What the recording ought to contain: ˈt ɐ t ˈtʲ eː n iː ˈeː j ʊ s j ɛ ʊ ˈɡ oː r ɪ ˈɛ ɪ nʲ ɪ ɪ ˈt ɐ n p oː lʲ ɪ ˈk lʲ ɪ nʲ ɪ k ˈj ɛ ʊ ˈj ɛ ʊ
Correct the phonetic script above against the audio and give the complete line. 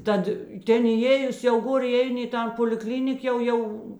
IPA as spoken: ˈt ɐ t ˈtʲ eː n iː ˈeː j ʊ s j ɛ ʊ ˈɡ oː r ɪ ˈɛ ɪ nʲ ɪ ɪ ˈt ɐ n p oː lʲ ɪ ˈk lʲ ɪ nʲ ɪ k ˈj ɛ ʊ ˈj ɛ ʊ